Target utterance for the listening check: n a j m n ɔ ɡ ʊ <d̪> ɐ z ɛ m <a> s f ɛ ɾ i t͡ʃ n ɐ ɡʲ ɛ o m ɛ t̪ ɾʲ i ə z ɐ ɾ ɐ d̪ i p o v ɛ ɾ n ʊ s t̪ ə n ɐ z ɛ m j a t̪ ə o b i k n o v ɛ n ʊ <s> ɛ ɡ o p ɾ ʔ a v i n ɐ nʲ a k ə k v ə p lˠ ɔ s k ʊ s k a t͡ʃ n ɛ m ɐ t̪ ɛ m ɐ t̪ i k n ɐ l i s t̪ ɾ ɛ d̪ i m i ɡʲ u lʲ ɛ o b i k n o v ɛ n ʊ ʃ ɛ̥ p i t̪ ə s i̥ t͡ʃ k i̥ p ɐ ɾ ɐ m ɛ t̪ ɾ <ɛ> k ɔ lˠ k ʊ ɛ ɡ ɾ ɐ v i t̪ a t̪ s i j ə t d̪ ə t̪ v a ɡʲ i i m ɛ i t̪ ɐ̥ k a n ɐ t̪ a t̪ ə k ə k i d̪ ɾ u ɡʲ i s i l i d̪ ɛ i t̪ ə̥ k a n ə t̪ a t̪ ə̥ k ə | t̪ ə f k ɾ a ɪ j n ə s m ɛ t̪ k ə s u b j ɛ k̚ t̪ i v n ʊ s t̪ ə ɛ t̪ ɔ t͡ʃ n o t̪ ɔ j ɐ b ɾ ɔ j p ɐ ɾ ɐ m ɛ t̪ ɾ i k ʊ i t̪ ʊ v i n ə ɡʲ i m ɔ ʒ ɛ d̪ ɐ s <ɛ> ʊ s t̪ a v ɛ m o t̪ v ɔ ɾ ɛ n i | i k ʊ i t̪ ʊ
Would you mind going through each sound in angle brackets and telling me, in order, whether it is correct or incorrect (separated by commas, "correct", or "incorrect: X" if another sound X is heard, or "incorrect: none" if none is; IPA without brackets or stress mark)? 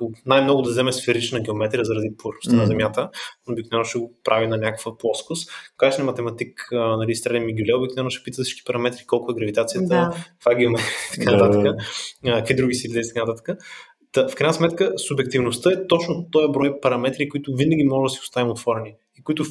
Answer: correct, incorrect: ɛ, incorrect: ʃ, incorrect: i, incorrect: i